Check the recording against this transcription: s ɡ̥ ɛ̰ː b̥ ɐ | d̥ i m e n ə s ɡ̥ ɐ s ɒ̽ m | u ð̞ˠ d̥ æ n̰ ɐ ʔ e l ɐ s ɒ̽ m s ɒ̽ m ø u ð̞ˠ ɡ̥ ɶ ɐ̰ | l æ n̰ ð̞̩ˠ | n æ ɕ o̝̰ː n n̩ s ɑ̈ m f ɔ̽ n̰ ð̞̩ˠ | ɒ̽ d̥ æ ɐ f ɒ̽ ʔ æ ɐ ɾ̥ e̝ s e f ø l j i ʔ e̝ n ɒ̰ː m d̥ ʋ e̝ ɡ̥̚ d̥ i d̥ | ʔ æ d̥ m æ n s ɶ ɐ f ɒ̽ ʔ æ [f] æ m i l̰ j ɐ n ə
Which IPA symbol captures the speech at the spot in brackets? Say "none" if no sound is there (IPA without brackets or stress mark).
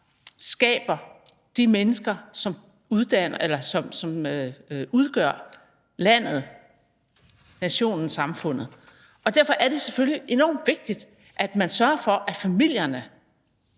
f